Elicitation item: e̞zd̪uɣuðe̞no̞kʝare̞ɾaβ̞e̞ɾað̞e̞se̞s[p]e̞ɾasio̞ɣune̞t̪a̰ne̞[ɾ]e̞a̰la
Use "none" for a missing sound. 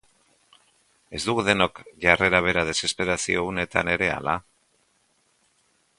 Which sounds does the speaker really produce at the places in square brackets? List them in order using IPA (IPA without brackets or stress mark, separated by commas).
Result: p, ɾ